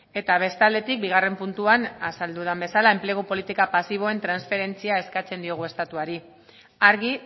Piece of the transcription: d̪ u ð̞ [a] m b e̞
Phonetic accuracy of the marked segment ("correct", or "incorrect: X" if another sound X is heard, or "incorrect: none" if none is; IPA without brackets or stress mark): correct